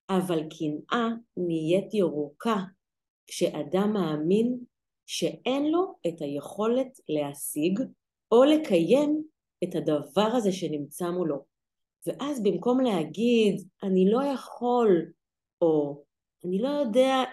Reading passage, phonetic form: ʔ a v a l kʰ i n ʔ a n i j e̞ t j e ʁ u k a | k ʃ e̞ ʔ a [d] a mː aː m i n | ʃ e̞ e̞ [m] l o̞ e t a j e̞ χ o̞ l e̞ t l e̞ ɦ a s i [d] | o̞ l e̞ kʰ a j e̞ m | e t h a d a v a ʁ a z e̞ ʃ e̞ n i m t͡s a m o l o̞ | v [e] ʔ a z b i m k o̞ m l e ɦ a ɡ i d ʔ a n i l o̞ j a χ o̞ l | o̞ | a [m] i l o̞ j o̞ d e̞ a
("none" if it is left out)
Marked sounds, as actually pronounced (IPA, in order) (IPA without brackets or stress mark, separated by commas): d, n, ɡ, e, n